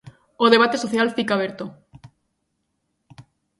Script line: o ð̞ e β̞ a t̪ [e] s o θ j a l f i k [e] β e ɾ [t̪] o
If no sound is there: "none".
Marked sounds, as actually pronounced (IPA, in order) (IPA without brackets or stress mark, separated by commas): e, a, t̪